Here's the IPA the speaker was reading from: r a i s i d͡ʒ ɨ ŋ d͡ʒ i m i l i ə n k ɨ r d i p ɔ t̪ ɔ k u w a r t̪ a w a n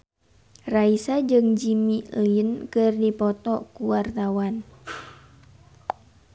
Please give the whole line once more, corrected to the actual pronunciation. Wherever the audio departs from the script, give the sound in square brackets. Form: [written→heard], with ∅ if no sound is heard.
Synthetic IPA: r a i s [i→a] d͡ʒ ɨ ŋ d͡ʒ i m i l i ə n k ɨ r d i p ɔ t̪ ɔ k u w a r t̪ a w a n